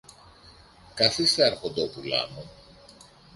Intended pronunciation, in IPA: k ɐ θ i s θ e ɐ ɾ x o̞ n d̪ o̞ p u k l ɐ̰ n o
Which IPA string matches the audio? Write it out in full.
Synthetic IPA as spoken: k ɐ θ i s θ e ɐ ɾ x o̞ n d̪ o̞ p u l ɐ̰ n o